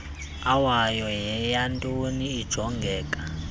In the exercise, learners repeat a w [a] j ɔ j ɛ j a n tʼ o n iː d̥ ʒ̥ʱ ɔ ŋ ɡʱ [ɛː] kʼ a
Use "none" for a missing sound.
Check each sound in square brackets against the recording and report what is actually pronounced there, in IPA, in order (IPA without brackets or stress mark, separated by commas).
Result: a, ɛː